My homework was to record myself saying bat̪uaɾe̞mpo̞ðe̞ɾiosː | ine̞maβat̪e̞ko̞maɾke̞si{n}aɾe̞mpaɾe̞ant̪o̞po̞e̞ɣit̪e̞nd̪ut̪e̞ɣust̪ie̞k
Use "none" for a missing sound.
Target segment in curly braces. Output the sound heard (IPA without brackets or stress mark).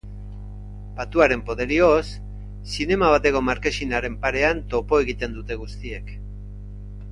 n